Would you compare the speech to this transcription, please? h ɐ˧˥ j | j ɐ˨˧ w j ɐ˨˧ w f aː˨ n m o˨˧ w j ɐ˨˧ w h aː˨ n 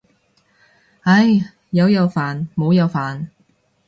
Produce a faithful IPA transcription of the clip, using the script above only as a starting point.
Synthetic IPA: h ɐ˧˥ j | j ɐ˨˧ w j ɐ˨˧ w f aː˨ n m o˨˧ w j ɐ˨˧ w f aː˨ n

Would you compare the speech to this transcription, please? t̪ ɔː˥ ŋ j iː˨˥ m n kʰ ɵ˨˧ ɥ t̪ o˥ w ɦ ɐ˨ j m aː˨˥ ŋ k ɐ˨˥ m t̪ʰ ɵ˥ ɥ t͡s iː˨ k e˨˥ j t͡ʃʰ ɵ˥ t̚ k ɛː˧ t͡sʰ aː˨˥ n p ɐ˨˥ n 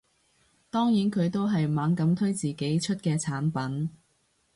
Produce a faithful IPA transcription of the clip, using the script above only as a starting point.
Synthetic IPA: t̪ ɔː˥ ŋ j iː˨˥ n kʰ ɵ˨˧ ɥ t̪ o˥ w ɦ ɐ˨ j m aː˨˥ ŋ k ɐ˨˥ m t̪ʰ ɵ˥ ɥ t͡s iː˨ k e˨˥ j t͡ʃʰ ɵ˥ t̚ k ɛː˧ t͡sʰ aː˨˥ n p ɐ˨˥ n

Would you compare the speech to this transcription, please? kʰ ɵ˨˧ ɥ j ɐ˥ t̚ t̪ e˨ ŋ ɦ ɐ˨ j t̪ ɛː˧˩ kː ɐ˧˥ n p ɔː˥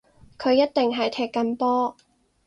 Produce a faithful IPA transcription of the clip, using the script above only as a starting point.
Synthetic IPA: kʰ ɵ˨˧ ɥ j ɐ˥ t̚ t̪ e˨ ŋ ɦ ɐ˨ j t̪ʰ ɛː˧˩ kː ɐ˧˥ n p ɔː˥

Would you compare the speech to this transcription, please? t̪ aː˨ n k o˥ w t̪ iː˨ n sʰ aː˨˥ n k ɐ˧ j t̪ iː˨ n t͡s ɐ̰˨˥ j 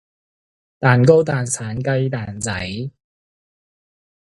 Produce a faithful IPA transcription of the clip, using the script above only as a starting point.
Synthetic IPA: t̪ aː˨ n k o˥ w t̪ aː˨ n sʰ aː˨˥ n k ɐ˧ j t̪ aː˨ n t͡s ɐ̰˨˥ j

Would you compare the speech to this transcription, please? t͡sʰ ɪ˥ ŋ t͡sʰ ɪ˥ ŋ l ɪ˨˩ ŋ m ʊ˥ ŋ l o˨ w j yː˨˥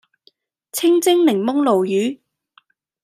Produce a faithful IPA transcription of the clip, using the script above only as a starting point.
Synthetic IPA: t͡sʰ ɪ˥ ŋ t͡s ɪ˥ ŋ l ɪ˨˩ ŋ m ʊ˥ ŋ l o˨ w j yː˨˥

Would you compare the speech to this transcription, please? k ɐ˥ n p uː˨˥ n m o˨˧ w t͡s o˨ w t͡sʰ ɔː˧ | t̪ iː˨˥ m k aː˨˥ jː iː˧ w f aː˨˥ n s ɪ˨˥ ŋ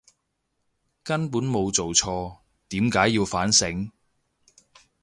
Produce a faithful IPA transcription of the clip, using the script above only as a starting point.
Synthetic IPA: k ɐ˥ n p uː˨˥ n m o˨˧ w t͡s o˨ w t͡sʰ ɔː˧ | t̪ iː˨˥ m k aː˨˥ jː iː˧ w f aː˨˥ n s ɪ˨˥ ŋ

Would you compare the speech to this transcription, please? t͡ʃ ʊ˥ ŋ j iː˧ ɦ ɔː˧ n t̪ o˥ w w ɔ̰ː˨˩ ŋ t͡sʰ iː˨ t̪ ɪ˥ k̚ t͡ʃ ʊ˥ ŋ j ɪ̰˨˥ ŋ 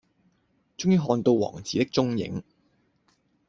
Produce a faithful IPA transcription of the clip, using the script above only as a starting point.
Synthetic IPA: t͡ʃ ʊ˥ ŋ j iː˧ ɦ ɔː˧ n t̪ o˧ w w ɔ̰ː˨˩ ŋ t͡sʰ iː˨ t̪ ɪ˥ k̚ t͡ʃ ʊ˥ ŋ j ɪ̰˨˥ ŋ

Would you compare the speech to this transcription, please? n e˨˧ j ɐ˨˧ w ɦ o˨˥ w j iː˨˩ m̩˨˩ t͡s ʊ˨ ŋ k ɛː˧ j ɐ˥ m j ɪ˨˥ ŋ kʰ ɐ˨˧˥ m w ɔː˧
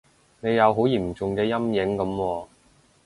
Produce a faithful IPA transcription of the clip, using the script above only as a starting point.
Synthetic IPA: n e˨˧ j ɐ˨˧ w ɦ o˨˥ w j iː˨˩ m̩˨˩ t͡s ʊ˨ ŋ k ɛː˧ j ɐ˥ m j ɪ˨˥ ŋ k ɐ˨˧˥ m w ɔː˧

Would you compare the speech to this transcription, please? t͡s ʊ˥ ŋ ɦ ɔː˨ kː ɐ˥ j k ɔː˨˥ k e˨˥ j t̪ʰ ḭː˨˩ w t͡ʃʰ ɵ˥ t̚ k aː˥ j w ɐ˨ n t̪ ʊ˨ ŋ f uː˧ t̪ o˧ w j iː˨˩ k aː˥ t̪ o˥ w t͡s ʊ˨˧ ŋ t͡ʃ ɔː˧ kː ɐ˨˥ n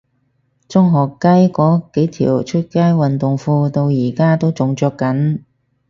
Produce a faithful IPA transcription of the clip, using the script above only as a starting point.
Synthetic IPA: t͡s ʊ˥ ŋ ɦ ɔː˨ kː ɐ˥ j k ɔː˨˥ k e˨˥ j t̪ʰ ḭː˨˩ w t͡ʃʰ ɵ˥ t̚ k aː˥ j w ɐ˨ n t̪ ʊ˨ ŋ f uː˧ t̪ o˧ w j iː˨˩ k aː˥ t̪ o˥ w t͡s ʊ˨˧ ŋ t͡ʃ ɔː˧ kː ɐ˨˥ n

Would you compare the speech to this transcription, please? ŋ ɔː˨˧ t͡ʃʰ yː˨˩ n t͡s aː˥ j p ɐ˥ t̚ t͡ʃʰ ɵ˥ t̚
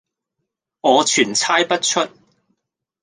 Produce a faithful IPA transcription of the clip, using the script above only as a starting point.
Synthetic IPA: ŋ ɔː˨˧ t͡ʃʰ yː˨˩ n t͡sʰ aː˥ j p ɐ˥ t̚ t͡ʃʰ ɵ˥ t̚

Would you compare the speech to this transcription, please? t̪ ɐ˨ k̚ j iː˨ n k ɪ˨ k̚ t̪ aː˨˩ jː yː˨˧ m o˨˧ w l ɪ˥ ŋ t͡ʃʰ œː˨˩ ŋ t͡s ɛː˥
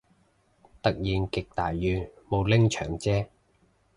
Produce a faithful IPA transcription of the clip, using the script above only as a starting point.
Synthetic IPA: t̪ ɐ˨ k̚ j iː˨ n k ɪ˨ k̚ t̪ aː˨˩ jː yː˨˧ m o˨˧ w l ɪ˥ ŋ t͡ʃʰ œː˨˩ ŋ t͡s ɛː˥

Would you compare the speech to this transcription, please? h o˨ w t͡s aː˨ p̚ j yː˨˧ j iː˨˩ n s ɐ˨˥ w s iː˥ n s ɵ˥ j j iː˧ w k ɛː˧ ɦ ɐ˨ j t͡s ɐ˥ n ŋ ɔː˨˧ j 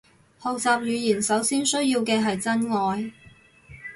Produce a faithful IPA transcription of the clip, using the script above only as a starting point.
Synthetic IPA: h o˨ w t͡s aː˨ p̚ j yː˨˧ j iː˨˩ n s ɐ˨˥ w s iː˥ n s ɵ˥ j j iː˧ w k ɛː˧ ɦ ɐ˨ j t͡s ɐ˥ n ŋ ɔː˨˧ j

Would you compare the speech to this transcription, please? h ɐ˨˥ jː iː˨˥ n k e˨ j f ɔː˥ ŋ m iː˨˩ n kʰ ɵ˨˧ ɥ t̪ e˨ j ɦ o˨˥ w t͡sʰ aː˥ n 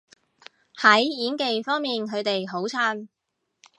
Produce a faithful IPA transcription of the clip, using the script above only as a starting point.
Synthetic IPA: h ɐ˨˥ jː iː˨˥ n k e˨ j f ɔː˥ ŋ m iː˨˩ n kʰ ɵ˨˧ ɥ t̪ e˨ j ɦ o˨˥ w t͡sʰ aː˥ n

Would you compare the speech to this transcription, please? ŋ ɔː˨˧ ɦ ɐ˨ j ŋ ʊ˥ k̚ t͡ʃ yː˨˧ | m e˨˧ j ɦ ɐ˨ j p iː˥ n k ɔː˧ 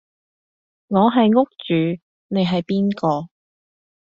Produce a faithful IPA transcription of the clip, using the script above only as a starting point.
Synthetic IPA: ŋ ɔː˨˧ ɦ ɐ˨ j ŋ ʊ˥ k̚ t͡ʃ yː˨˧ | n e˨˧ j ɦ ɐ˨ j p iː˥ n k ɔː˧

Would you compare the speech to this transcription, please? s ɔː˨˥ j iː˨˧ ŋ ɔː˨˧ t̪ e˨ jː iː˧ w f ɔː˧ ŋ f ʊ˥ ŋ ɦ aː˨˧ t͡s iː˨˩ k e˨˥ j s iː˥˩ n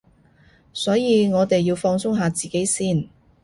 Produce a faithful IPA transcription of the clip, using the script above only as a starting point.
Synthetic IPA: s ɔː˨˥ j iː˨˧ ŋ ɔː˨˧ t̪ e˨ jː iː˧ w f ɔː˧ ŋ s ʊ˥ ŋ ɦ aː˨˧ t͡s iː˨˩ k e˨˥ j s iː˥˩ n

